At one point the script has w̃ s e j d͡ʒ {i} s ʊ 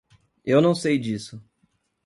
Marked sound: correct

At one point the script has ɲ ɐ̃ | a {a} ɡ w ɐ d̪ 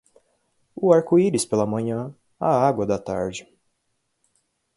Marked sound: correct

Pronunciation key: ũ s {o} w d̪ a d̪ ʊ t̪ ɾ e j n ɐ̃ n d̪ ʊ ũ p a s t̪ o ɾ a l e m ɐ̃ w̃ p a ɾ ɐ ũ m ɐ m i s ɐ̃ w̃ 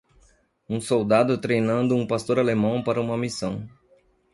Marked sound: correct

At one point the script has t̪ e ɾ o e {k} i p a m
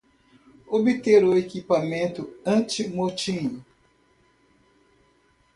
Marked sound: correct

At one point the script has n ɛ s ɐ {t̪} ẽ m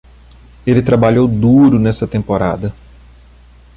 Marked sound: correct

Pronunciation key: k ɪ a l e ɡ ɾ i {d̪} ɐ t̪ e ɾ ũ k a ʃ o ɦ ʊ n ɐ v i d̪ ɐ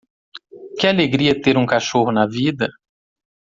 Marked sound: incorrect: none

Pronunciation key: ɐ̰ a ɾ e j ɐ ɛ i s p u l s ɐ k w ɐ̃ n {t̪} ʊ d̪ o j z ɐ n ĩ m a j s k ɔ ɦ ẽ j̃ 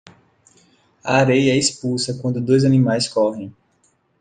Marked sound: incorrect: d̪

